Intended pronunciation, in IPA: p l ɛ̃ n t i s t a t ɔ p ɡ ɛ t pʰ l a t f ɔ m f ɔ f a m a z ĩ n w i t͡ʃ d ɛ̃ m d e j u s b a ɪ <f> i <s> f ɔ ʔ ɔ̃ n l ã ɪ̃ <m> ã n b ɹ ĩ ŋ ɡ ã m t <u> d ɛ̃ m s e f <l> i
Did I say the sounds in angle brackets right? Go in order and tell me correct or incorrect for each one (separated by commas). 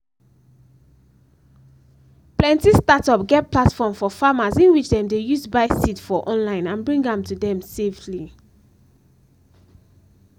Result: incorrect, incorrect, incorrect, correct, correct